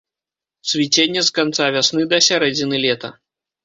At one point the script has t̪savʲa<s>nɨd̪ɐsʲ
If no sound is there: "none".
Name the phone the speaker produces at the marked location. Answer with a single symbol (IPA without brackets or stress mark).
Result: s